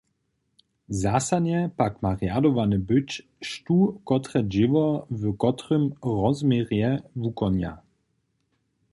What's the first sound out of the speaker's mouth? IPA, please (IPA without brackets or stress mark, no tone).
z